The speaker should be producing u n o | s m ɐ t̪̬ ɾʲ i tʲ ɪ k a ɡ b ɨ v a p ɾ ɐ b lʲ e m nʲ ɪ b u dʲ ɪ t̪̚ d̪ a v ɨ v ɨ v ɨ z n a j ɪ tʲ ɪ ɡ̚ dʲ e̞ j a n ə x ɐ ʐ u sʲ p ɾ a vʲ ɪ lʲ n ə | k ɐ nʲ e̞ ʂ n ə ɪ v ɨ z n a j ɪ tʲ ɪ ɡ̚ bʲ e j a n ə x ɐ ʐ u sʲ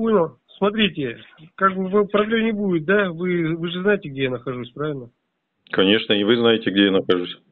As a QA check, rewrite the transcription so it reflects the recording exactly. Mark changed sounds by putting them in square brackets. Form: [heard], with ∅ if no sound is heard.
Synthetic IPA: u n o | s m ɐ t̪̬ ɾʲ i tʲ ɪ k a ɡ b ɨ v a p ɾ ɐ b lʲ e m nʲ ɪ b u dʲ ɪ t̪̚ d̪ a v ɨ v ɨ [ʐ] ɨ z n a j ɪ tʲ ɪ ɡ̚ dʲ e̞ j a n ə x ɐ ʐ u sʲ p ɾ a vʲ ɪ lʲ n ə | k ɐ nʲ e̞ ʂ n ə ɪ v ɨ z n a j ɪ tʲ ɪ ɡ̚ [dʲ] e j a n ə x ɐ ʐ u sʲ